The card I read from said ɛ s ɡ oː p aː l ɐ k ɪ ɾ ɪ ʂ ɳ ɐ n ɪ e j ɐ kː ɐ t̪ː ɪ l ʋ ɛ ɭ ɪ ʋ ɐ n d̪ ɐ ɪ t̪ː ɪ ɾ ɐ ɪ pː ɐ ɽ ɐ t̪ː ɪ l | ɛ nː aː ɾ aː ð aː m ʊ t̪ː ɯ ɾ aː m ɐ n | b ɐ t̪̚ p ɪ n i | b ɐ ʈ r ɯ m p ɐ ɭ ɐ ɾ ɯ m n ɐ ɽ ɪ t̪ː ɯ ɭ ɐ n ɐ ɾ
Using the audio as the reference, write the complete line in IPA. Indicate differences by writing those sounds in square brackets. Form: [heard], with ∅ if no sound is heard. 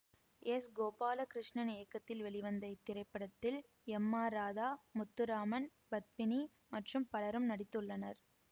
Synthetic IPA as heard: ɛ s ɡ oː p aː l ɐ k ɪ ɾ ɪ ʂ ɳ ɐ n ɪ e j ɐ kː ɐ t̪ː ɪ l ʋ ɛ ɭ ɪ ʋ ɐ n d̪ ɐ ɪ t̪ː ɪ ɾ ɐ ɪ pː ɐ ɽ ɐ t̪ː ɪ l | ɛ [mː] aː ɾ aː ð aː m ʊ t̪ː ɯ ɾ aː m ɐ n | b ɐ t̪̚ p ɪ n i | [m] ɐ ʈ r ɯ m p ɐ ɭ ɐ ɾ ɯ m n ɐ ɽ ɪ t̪ː ɯ [ɭː] ɐ n ɐ ɾ

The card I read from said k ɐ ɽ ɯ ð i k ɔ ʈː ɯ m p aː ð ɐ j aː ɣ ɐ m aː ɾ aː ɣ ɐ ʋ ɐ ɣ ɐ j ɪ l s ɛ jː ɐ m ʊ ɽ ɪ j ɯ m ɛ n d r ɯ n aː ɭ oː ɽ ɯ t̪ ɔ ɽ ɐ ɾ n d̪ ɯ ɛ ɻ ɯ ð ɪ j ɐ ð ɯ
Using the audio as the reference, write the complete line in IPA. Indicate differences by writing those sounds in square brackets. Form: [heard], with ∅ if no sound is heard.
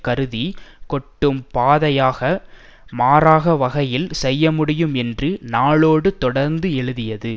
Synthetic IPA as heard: k ɐ [ɾ] ɯ ð i k ɔ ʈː ɯ m p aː ð ɐ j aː ɣ ɐ m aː ɾ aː ɣ ɐ ʋ ɐ ɣ ɐ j ɪ l s ɛ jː ɐ m ʊ ɽ ɪ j ɯ m ɛ n d r ɯ n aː ɭ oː ɽ ɯ t̪ ɔ ɽ ɐ ɾ n d̪ ɯ ɛ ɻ ɯ ð ɪ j ɐ ð ɯ

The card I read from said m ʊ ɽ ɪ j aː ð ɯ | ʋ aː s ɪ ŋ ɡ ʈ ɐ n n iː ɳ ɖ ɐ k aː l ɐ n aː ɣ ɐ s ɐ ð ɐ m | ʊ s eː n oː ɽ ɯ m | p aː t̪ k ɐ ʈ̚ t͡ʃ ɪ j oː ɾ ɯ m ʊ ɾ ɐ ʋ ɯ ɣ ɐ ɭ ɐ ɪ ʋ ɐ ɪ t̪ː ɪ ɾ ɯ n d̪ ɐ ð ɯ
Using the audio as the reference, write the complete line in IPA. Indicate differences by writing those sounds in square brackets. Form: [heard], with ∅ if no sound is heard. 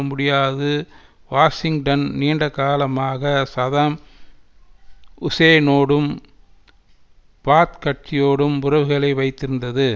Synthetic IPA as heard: m ʊ ɽ ɪ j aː ð ɯ | ʋ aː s ɪ ŋ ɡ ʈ ɐ n n iː ɳ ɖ ɐ k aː l ɐ [m] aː ɣ ɐ s ɐ ð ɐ m | ʊ s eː n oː ɽ ɯ m | p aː t̪ k ɐ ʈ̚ t͡ʃ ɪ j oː [ɽ] ɯ m ʊ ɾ ɐ ʋ ɯ ɣ ɐ ɭ ɐ ɪ ʋ ɐ ɪ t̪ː ɪ ɾ ɯ n d̪ ɐ ð ɯ

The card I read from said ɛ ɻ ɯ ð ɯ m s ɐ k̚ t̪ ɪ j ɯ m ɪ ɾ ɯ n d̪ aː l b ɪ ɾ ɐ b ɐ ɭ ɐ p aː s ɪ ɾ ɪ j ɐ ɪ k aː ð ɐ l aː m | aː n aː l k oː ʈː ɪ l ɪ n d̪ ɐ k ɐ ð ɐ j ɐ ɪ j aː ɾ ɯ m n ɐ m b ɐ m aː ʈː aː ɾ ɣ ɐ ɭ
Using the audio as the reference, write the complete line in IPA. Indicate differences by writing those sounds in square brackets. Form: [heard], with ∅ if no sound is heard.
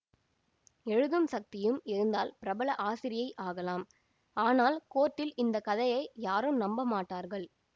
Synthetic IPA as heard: ɛ ɻ ɯ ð ɯ m s ɐ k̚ t̪ ɪ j ɯ m ɪ ɾ ɯ n d̪ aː l [p] ɪ ɾ ɐ b ɐ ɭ ɐ [ʔ] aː s ɪ ɾ ɪ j ɐ ɪ [ʔ] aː [ɣ] ɐ l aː m | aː n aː l k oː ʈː ɪ l ɪ n d̪ ɐ k ɐ ð ɐ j ɐ ɪ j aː ɾ ɯ m n ɐ m b ɐ m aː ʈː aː ɾ ɣ ɐ ɭ

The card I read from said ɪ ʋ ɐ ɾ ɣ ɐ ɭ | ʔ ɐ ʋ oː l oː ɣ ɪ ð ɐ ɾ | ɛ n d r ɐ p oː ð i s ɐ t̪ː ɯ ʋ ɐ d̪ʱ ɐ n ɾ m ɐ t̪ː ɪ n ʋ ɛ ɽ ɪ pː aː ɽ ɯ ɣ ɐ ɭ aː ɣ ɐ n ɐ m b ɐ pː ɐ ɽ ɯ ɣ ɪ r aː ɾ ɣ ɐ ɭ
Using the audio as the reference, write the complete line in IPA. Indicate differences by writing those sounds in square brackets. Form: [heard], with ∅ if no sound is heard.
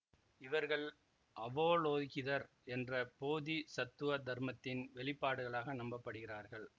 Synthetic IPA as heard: ɪ ʋ ɐ ɾ ɣ ɐ ɭ | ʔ ɐ ʋ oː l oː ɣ ɪ ð ɐ ɾ | ɛ n d r ɐ p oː ð i s ɐ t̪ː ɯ ʋ ɐ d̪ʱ ɐ [∅] ɾ m ɐ t̪ː ɪ n ʋ ɛ [ɭ] ɪ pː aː ɽ ɯ ɣ ɐ ɭ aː ɣ ɐ n ɐ m b ɐ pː ɐ ɽ ɯ ɣ ɪ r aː ɾ ɣ ɐ ɭ

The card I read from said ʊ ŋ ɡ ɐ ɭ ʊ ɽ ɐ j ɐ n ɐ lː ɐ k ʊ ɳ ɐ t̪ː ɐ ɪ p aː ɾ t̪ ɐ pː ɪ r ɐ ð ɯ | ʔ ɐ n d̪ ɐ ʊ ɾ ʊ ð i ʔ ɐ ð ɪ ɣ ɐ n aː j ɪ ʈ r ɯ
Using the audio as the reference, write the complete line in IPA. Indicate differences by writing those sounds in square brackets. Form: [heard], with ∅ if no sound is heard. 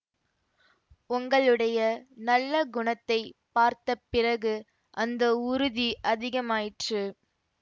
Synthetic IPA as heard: ʊ ŋ ɡ ɐ ɭ [ɯ] ɽ ɐ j ɐ n ɐ lː ɐ [ɡ] ʊ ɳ ɐ t̪ː ɐ ɪ p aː ɾ t̪ ɐ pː ɪ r ɐ [ɣ] ɯ | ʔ ɐ n d̪ ɐ ʊ ɾ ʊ ð i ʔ ɐ ð ɪ ɣ ɐ [m] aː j ɪ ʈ r ɯ

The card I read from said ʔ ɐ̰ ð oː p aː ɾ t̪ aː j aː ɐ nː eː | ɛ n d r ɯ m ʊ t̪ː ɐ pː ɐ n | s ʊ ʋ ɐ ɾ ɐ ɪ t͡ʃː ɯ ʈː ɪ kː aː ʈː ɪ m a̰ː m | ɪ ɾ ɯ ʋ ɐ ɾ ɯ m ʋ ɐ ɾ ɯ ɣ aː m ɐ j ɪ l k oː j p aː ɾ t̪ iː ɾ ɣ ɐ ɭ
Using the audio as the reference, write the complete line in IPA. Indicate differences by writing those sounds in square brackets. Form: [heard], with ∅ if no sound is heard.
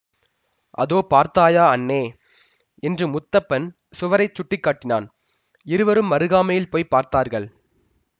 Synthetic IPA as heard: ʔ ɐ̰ ð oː p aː ɾ t̪ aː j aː ɐ nː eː | ɛ n d r ɯ m ʊ t̪ː ɐ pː ɐ n | s ʊ ʋ ɐ ɾ ɐ ɪ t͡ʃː [ʊ] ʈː ɪ kː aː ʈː ɪ [n] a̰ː [n] | ɪ ɾ ɯ ʋ ɐ ɾ ɯ m ʋ ɐ ɾ ɯ ɣ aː m ɐ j ɪ l [p] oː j p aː ɾ t̪ [aː] ɾ ɣ ɐ ɭ

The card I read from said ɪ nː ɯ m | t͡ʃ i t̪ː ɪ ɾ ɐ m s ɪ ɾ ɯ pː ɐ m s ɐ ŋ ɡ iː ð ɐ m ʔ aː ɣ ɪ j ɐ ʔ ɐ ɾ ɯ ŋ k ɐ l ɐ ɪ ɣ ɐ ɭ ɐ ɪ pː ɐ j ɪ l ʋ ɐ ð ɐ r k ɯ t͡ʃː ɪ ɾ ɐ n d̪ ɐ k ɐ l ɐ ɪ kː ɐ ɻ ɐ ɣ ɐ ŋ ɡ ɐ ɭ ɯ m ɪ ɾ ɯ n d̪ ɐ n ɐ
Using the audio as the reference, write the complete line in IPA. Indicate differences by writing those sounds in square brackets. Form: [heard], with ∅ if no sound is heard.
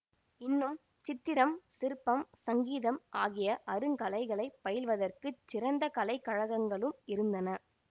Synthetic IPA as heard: ɪ nː ɯ m | t͡ʃ [ɪ] t̪ː ɪ ɾ ɐ m s ɪ ɾ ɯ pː ɐ m s ɐ ŋ ɡ iː ð ɐ m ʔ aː ɣ ɪ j ɐ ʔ ɐ ɾ ɯ ŋ k ɐ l ɐ ɪ ɣ ɐ ɭ ɐ ɪ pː ɐ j ɪ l ʋ ɐ ð ɐ r k ɯ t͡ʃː ɪ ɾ ɐ n d̪ ɐ k ɐ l ɐ ɪ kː ɐ ɻ ɐ ɣ ɐ ŋ ɡ ɐ ɭ ɯ m ɪ ɾ ɯ n d̪ ɐ n ɐ

